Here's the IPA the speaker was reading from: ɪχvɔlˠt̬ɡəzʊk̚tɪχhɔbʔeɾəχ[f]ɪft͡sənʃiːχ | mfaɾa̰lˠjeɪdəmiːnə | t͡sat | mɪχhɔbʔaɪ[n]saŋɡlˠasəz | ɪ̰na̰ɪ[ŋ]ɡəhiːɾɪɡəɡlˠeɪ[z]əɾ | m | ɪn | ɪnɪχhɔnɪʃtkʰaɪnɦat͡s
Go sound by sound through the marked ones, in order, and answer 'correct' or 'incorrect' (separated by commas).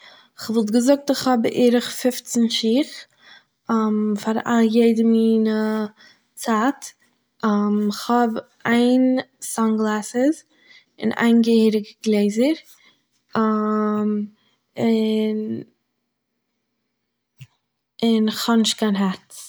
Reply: correct, correct, incorrect, correct